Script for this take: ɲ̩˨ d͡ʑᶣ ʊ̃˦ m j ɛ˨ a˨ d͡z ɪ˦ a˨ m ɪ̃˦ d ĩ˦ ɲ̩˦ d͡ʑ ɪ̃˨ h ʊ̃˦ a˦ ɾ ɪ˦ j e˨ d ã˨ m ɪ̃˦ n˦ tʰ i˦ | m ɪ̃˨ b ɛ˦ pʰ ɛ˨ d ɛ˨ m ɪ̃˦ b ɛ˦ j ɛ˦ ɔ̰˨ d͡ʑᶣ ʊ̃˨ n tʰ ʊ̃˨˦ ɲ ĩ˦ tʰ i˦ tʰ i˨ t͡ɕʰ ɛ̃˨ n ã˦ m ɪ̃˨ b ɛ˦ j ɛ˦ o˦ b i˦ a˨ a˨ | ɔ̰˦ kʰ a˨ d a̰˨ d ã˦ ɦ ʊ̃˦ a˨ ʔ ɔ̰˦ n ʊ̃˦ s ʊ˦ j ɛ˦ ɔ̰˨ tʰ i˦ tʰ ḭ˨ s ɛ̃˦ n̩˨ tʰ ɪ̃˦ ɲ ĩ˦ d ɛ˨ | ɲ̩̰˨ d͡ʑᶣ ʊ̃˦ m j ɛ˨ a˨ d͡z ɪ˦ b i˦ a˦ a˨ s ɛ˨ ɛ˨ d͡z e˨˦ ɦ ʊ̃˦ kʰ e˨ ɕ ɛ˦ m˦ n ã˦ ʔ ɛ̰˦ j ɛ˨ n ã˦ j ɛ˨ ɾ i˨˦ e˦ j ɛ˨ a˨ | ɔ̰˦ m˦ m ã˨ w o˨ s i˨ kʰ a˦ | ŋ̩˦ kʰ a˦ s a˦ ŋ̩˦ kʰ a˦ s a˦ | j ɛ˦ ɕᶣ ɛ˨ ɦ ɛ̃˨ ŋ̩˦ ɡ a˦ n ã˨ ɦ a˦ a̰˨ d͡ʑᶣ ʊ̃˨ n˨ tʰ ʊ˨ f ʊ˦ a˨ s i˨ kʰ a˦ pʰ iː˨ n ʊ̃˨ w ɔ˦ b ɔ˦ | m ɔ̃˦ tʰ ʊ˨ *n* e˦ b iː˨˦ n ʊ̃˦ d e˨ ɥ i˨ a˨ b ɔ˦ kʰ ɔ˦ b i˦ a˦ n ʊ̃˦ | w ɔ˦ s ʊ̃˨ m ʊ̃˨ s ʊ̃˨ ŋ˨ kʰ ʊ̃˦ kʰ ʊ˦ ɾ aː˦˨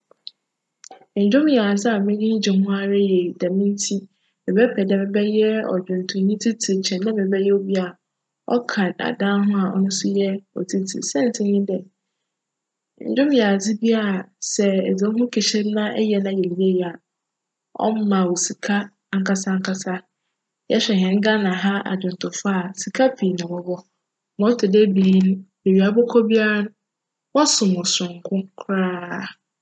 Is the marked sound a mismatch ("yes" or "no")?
yes